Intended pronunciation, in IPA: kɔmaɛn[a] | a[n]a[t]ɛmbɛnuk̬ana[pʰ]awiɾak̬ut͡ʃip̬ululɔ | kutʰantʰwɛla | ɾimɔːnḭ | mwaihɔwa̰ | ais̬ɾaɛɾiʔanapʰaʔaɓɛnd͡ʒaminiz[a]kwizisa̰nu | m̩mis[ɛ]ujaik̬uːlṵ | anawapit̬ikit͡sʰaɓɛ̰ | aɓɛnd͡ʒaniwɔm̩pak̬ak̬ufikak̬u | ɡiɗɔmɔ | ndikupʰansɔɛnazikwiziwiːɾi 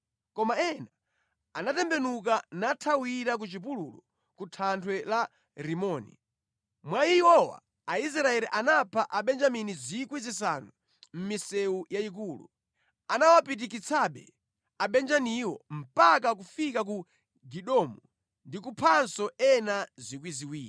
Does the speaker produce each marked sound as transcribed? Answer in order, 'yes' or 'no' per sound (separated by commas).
yes, yes, yes, no, no, yes